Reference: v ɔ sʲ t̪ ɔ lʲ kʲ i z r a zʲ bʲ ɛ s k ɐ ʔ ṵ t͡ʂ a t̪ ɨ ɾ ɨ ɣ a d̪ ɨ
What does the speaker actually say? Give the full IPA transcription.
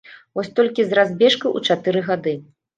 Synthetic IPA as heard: v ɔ sʲ t̪ ɔ lʲ kʲ i z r a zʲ bʲ ɛ ʂ k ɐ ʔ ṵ t͡ʂ a t̪ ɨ ɾ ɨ ɣ a d̪ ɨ